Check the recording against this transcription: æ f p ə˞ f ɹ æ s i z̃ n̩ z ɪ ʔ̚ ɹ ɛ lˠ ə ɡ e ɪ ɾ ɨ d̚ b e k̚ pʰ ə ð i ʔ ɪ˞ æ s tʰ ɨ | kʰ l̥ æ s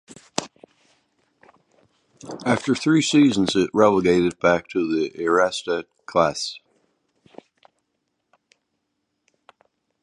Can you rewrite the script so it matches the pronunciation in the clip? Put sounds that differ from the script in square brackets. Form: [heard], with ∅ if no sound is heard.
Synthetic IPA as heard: æ f [t] ə˞ [θ] ɹ [i] s i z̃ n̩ z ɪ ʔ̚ ɹ ɛ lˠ ə ɡ e ɪ ɾ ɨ d̚ b [æ] k̚ [tʰ] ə ð i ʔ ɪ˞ æ s [t] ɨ | kʰ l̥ æ s

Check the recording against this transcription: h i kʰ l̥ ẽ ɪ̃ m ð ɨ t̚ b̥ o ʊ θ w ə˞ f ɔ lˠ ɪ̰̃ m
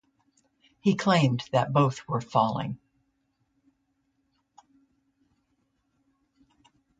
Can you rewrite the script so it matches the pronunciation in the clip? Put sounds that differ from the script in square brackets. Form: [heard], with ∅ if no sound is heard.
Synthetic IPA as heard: h i kʰ l̥ ẽ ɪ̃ m ð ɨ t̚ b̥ o ʊ θ w ə˞ f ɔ lˠ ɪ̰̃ [ŋ]

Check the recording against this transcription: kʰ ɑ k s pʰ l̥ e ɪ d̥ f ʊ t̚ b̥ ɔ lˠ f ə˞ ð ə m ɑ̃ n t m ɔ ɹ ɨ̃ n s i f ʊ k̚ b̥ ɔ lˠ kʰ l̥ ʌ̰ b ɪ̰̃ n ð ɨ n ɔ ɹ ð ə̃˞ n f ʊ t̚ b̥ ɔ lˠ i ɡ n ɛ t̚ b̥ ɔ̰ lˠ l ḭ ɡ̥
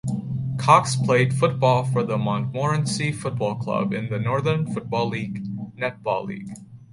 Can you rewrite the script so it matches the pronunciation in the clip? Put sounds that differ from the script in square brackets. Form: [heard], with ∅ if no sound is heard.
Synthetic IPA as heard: kʰ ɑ k s pʰ l̥ e ɪ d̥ f ʊ t̚ b̥ ɔ lˠ f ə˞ ð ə m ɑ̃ n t m ɔ ɹ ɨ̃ n s i f ʊ [t̚] b̥ ɔ lˠ kʰ l̥ ʌ̰ b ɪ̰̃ n ð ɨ n ɔ ɹ ð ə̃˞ n f ʊ t̚ b̥ ɔ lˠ i ɡ n ɛ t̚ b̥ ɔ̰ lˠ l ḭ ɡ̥

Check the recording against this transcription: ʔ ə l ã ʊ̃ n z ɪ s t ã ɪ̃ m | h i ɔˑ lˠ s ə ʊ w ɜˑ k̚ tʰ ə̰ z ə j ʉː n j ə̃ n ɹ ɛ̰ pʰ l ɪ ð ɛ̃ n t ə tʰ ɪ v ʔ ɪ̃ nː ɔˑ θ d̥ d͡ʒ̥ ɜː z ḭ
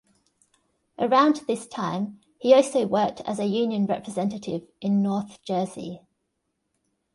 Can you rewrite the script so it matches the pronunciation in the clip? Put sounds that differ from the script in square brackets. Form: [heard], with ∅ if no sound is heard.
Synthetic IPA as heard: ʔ ə [ɹ] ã ʊ̃ n [ð] ɪ s [tʰ] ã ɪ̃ m | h i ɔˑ lˠ s ə ʊ w ɜˑ k̚ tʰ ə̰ z ə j ʉː n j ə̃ n ɹ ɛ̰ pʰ [ɹ] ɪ [z] ɛ̃ n t ə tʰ ɪ v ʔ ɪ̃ nː ɔˑ θ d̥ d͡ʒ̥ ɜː z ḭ

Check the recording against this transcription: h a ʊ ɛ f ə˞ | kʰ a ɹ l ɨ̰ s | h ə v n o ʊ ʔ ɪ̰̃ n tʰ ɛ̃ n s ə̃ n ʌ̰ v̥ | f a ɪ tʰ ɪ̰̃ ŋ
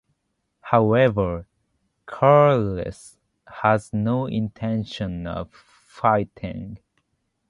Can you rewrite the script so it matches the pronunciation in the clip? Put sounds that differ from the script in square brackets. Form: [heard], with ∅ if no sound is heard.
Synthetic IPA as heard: h a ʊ ɛ [v] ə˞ | kʰ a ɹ l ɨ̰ s | h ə [z] n o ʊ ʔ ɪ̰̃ n tʰ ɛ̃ n [ʃ] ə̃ n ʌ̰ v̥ | f a ɪ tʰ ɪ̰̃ ŋ

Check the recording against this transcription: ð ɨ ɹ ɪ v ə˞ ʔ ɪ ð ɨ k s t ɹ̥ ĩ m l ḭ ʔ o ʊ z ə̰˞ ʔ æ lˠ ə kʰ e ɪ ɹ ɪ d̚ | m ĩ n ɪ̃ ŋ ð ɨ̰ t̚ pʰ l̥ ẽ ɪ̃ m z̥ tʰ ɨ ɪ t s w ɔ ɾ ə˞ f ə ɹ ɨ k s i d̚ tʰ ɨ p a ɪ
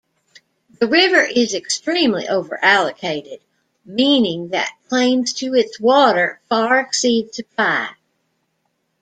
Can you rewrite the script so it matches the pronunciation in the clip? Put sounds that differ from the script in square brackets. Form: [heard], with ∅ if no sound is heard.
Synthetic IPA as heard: ð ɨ ɹ ɪ v ə˞ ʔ ɪ [z] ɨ k s t ɹ̥ ĩ m l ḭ ʔ o ʊ [v] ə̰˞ ʔ æ lˠ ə kʰ e ɪ [ɾ] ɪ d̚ | m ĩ n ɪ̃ ŋ ð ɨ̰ t̚ [kʰ] l̥ ẽ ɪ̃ m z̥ tʰ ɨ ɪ t s w ɔ ɾ ə˞ f [ɑ] ɹ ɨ k s i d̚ tʰ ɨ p a ɪ

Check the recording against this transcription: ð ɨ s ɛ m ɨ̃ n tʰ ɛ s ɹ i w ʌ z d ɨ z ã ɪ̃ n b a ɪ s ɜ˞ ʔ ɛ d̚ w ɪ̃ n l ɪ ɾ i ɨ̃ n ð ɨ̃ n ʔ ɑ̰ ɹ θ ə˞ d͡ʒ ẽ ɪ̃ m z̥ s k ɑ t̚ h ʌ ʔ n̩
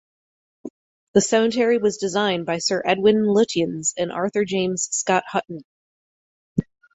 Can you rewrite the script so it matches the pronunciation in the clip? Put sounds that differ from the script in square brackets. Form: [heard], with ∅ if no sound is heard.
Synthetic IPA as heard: ð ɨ s ɛ m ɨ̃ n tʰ ɛ [∅] ɹ i w ʌ z d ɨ z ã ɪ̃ n b a ɪ s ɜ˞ ʔ ɛ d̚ w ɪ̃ n l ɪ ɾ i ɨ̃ n [z] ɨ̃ n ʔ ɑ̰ ɹ θ ə˞ d͡ʒ ẽ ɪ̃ m z̥ s k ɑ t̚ h ʌ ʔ n̩

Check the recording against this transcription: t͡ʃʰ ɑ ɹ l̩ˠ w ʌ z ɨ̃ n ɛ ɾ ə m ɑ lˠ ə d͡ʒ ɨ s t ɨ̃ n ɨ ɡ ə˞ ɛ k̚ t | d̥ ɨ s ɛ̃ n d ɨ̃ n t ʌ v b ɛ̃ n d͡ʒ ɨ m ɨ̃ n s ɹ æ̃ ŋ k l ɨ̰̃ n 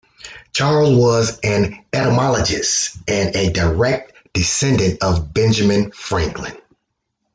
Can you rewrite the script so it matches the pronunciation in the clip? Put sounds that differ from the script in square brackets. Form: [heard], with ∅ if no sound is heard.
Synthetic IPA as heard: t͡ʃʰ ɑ ɹ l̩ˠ w ʌ z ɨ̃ n ɛ ɾ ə m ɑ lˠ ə d͡ʒ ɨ s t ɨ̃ n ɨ [d] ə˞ ɛ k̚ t | d̥ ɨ s ɛ̃ n d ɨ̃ n t ʌ v b ɛ̃ n d͡ʒ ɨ m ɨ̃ n [f] ɹ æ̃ ŋ k l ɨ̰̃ n

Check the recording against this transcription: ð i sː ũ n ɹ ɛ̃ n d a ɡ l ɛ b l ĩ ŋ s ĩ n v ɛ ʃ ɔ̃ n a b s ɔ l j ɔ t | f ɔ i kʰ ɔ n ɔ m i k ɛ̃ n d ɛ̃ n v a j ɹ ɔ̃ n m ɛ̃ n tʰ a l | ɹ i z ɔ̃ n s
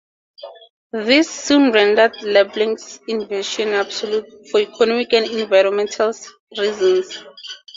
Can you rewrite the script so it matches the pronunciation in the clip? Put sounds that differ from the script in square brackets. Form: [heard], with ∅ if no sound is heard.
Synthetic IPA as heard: ð i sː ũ n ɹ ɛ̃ n d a [d] l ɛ b l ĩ ŋ s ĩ n v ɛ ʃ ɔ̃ n a b s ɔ l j [u] t | f ɔ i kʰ ɔ n ɔ m i k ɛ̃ n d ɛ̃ n v a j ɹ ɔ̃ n m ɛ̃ n tʰ a l | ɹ i z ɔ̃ n s

